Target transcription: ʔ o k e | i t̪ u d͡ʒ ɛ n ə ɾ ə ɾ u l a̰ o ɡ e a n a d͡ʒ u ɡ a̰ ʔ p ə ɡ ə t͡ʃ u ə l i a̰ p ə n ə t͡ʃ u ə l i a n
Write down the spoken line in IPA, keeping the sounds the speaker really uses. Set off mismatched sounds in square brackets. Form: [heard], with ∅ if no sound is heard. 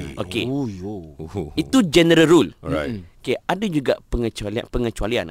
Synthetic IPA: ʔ o k e | i t̪ u d͡ʒ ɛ n ə ɾ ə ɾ u l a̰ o [k] e a [d] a d͡ʒ u ɡ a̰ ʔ p ə [ŋ] ə t͡ʃ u [a] l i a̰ p ə [ŋ] ə t͡ʃ u [a] l i a n